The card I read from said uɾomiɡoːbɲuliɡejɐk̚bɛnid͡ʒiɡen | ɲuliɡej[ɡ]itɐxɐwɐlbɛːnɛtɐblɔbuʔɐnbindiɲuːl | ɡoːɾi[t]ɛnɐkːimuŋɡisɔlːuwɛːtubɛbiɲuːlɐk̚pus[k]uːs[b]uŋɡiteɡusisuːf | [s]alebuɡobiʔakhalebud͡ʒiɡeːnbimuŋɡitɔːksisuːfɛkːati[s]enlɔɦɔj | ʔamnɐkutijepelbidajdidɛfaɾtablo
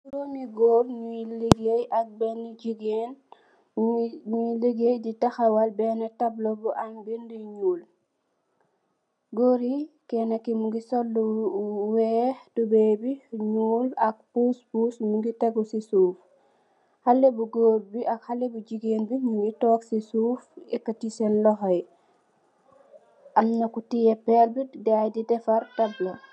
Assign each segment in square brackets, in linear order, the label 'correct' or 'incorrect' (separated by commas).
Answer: incorrect, incorrect, incorrect, incorrect, incorrect, correct